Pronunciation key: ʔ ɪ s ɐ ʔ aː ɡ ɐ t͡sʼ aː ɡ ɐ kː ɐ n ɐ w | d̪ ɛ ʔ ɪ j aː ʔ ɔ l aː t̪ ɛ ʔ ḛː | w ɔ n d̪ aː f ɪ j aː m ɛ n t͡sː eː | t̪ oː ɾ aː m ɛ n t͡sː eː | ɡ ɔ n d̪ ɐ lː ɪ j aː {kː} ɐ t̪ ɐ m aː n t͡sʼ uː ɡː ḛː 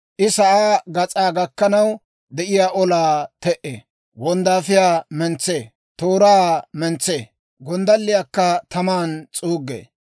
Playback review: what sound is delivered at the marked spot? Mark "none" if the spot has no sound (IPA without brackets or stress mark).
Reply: kː